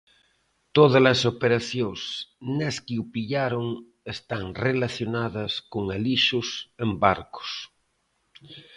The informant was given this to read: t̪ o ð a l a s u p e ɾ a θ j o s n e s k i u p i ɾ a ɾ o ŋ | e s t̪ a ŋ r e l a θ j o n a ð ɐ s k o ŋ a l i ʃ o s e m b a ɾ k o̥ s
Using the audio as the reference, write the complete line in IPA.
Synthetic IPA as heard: t̪ o ð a l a s o p e ɾ a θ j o s n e s k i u p i ʎ a ɾ o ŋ | e s t̪ a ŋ r e l a θ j o n a ð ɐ s k o ŋ a l i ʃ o s e m b a ɾ k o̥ s